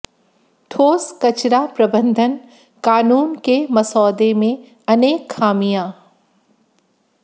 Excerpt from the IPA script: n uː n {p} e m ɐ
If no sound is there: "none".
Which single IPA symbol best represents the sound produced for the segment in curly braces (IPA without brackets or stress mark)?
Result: k